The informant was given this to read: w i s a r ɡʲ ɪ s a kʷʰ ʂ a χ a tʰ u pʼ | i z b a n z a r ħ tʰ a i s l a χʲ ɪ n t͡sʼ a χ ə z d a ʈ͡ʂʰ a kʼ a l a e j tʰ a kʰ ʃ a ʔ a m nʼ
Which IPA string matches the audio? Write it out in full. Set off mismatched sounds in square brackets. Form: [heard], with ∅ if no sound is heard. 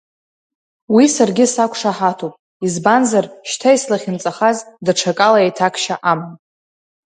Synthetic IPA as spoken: w i s a r ɡʲ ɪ s a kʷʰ ʂ a [ħ] a tʰ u pʼ | i z b a n z a r [ʃ] tʰ a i s l a χʲ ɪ n t͡sʼ a χ [a] z d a ʈ͡ʂʰ a kʼ a l a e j tʰ a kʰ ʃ a ʔ a m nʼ

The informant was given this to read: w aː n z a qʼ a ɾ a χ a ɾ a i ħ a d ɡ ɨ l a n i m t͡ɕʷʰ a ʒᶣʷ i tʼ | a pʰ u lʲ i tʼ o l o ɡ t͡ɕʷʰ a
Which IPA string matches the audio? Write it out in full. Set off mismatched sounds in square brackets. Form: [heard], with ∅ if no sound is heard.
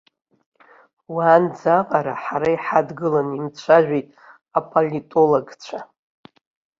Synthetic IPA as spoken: w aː n [d͡z] a qʼ a ɾ a [ħ] a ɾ a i ħ a d ɡ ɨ l a n i m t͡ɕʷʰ a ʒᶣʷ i tʼ | a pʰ [o] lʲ i tʼ o l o ɡ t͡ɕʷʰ a

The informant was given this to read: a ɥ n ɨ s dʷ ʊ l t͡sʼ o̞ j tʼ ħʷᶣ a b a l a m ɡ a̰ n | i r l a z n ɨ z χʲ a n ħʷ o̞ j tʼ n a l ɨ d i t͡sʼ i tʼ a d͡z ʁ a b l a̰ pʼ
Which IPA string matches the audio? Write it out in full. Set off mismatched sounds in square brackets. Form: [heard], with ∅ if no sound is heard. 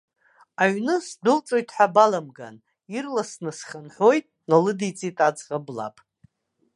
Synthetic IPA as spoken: a ɥ n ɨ s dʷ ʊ l t͡sʼ o̞ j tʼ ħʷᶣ a b a l a m ɡ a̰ n | i r l a [s] n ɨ [s] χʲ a n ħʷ o̞ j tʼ n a l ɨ d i t͡sʼ i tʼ a d͡z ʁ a b l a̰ pʼ

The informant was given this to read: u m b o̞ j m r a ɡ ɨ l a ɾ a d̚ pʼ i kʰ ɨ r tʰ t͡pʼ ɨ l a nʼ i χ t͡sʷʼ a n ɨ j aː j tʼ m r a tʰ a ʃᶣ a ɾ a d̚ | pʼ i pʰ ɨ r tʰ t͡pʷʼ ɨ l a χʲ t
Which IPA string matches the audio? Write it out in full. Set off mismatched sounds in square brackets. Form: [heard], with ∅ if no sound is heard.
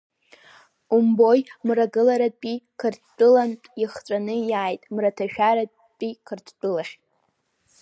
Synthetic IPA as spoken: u m b o̞ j m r a ɡ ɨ l a ɾ a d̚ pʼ i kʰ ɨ r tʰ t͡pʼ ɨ l a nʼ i χ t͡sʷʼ a n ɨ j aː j tʼ m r a tʰ a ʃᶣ a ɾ a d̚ | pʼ i [kʰ] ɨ r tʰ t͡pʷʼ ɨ l a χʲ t

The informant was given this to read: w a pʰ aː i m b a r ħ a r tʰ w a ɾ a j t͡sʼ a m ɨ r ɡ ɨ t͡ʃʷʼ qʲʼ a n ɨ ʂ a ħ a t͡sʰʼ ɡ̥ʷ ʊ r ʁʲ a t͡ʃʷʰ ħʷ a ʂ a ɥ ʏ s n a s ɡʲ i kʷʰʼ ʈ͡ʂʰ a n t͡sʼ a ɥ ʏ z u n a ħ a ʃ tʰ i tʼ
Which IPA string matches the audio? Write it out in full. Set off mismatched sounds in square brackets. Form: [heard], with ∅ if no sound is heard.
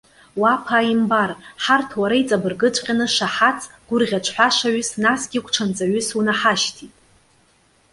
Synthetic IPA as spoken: w a pʰ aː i m b a r ħ a r tʰ w a ɾ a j t͡sʼ a [b] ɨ r ɡ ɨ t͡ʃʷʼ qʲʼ a n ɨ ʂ a ħ a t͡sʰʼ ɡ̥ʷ ʊ r ʁʲ a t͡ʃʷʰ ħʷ a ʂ a ɥ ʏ s n a s ɡʲ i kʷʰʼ ʈ͡ʂʰ a n t͡sʼ a ɥ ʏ [s] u n a ħ a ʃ tʰ i tʼ

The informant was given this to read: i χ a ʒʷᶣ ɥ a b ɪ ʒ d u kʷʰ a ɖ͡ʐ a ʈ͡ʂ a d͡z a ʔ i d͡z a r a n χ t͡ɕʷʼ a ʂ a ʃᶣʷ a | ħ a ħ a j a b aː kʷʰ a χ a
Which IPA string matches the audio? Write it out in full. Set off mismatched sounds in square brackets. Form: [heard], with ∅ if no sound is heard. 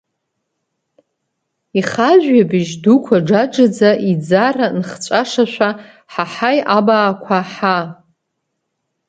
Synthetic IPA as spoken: i χ a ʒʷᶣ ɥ a b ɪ ʒ d u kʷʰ a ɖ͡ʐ a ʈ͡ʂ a d͡z a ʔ i d͡z a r a n χ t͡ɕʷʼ a ʂ a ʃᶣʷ a | ħ a ħ a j a b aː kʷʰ a [ħ] a

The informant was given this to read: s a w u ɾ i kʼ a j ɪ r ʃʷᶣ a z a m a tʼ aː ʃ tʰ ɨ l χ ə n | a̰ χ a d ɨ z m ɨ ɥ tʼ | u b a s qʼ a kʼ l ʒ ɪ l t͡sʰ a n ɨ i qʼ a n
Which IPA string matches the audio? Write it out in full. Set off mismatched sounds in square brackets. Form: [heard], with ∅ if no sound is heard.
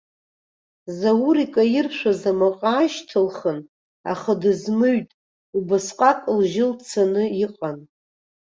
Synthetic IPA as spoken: [z] a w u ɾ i kʼ a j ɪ r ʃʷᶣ a z a m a [qʼ] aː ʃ tʰ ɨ l χ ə n | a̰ χ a d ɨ z m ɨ ɥ tʼ | u b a s qʼ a kʼ l ʒ ɪ l t͡sʰ a n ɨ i qʼ a n

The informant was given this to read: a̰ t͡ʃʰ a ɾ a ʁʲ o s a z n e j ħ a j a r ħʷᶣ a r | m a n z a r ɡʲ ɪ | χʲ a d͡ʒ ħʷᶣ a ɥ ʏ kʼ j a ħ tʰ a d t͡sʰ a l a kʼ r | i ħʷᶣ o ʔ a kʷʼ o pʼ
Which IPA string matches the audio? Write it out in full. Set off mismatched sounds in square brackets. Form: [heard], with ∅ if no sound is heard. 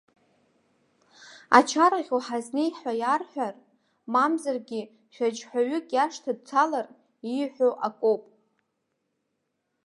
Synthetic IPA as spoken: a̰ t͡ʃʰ a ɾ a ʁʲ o [ħ] a z n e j ħ a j a r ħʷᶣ a r | m a [m] z a r ɡʲ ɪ | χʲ a d͡ʒ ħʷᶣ a ɥ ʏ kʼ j a [ʂ] tʰ a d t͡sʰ a l a [∅] r | i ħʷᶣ o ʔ a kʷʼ o pʼ

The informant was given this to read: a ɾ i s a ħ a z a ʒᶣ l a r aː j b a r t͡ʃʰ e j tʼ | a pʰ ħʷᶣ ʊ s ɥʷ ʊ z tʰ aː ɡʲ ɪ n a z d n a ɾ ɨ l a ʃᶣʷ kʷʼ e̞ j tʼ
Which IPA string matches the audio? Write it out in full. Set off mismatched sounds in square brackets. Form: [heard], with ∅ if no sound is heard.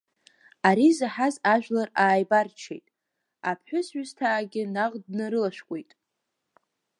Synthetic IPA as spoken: a ɾ i [z] a ħ a z a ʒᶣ l a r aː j b a r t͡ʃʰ e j tʼ | a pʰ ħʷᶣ ʊ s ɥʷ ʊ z tʰ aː ɡʲ ɪ n a [ʁ] d n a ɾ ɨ l a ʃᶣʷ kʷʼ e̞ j tʼ

